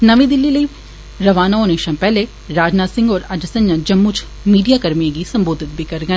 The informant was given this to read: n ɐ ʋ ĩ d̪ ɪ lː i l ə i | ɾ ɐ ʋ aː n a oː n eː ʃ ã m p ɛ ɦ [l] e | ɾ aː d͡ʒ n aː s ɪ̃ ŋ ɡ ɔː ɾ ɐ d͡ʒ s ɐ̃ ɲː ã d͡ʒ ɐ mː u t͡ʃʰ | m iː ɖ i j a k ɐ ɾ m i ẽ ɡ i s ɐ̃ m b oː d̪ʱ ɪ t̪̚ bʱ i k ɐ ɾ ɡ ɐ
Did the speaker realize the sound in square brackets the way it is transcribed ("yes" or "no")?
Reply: yes